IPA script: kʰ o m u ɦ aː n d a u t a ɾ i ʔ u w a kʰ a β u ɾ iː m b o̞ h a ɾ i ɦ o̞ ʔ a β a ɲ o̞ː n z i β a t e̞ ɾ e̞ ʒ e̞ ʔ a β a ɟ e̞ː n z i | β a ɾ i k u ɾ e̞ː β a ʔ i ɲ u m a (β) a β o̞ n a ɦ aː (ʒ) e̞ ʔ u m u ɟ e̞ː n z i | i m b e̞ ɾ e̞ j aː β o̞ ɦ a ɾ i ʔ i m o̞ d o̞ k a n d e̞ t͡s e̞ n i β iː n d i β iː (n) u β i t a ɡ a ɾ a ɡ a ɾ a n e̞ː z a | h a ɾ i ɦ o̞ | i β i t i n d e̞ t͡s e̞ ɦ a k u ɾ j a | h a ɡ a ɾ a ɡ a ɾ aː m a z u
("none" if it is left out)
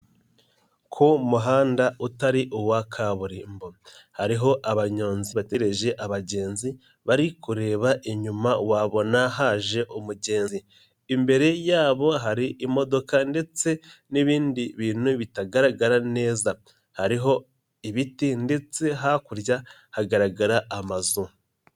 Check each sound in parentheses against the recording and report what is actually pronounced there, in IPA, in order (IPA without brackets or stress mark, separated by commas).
w, ʒ, n